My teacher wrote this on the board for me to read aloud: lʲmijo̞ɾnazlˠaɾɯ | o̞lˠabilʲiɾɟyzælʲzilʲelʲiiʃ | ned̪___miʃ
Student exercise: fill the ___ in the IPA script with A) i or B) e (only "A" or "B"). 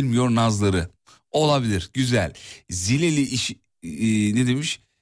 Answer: B